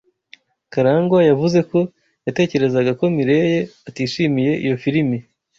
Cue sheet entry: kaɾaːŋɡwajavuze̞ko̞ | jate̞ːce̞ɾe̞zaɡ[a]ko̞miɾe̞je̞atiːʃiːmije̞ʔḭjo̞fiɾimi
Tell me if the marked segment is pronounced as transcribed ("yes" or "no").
yes